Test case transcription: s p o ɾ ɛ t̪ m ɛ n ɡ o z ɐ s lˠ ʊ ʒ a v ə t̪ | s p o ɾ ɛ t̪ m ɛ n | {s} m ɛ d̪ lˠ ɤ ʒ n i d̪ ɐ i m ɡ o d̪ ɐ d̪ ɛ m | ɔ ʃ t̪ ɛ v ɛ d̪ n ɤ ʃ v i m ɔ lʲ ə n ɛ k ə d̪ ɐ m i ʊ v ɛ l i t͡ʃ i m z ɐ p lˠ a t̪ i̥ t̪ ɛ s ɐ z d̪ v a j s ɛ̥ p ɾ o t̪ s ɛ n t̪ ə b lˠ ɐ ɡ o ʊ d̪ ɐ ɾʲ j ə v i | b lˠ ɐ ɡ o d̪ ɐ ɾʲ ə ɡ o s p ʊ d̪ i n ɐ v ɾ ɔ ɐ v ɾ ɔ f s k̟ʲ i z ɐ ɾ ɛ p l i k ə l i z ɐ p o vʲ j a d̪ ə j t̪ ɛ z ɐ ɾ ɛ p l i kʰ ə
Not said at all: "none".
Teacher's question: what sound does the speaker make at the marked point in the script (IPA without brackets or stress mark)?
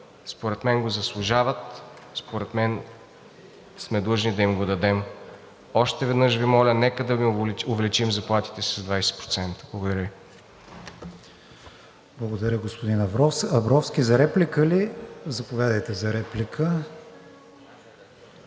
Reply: s